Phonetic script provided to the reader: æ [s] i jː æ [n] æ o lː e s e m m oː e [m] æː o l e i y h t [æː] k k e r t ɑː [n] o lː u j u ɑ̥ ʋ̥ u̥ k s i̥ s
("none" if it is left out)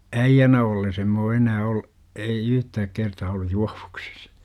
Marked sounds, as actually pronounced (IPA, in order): none, n, n, æː, none

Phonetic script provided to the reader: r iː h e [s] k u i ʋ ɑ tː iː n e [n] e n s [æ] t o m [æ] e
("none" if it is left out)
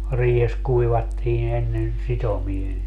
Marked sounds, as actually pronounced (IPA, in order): s, nː, i, i

